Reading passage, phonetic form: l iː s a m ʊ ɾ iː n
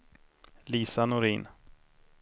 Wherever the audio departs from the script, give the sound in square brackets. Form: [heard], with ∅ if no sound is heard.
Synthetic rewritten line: l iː s a [n] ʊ ɾ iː n